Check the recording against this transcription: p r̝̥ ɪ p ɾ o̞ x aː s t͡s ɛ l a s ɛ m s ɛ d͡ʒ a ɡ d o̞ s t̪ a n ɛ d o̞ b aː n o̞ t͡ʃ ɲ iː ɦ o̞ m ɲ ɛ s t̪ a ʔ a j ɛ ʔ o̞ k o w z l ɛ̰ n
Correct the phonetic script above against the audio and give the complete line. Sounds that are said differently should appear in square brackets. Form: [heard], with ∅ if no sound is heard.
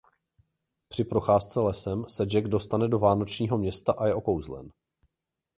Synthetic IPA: p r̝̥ ɪ p ɾ o̞ x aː s t͡s ɛ l [ɛ] s ɛ m s ɛ d͡ʒ [ɛ] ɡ d o̞ s t̪ a n ɛ d o̞ [v] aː n o̞ t͡ʃ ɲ iː ɦ o̞ m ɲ ɛ s t̪ a ʔ a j ɛ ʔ o̞ k o w z l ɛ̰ n